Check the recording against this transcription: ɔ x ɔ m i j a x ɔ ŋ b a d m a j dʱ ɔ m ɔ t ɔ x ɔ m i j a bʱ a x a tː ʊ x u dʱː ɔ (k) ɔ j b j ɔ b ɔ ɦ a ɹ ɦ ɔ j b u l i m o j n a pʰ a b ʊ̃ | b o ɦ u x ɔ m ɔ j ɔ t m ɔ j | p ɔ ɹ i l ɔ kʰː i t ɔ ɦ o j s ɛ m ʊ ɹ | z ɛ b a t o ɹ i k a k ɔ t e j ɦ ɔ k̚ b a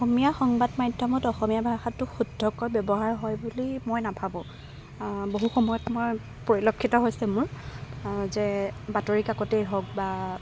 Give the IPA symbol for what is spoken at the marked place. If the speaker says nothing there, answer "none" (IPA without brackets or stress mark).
k